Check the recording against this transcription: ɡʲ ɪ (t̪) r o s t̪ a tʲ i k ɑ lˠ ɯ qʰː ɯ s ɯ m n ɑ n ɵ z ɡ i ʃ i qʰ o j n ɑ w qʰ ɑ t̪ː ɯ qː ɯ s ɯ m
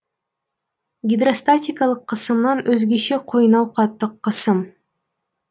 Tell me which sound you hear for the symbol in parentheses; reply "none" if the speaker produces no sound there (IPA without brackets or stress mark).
d̪